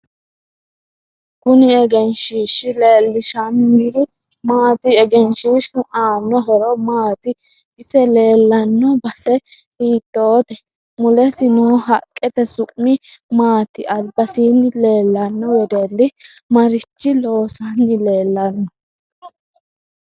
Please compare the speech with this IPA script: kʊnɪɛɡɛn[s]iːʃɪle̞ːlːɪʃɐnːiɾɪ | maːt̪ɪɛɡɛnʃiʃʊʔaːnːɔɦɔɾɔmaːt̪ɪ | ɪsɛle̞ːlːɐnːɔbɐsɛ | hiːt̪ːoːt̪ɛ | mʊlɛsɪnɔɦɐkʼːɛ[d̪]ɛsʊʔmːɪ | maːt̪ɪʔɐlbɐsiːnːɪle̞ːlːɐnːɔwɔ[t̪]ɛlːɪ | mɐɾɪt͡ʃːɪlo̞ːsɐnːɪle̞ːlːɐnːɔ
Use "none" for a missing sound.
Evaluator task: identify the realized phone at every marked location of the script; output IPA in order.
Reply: ʃ, t̪, d̪

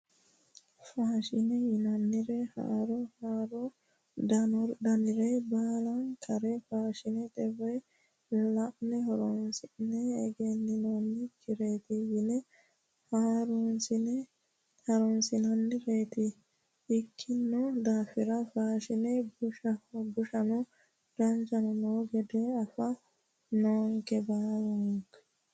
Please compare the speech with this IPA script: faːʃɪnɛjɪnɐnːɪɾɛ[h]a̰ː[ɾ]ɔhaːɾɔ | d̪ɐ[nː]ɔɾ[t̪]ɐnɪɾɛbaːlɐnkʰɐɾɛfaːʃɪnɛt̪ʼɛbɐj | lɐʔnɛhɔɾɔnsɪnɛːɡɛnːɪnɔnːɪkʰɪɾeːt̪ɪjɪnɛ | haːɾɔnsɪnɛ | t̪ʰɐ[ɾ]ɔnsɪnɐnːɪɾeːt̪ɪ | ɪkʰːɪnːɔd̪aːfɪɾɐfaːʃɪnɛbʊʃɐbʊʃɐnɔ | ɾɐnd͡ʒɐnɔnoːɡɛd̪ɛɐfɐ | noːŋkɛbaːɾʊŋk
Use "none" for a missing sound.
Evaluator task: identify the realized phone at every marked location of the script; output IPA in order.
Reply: h, ɾ, n, d̪, ɾ

